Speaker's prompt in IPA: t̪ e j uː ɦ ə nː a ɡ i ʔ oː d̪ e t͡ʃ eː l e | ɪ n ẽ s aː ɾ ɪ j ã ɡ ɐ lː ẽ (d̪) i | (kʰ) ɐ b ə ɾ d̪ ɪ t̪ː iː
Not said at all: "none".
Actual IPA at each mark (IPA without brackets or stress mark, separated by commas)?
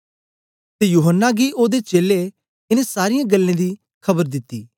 d̪, kʰ